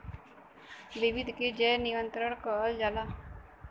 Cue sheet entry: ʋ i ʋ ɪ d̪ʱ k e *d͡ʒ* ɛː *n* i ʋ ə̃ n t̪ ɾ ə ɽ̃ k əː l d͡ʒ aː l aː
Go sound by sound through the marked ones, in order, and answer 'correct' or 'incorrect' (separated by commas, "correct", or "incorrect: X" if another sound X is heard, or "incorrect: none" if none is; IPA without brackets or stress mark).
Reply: correct, correct